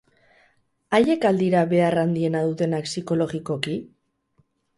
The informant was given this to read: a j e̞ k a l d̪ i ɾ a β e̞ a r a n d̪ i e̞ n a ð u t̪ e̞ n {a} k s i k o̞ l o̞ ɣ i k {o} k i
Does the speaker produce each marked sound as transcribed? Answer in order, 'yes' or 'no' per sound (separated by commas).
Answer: yes, yes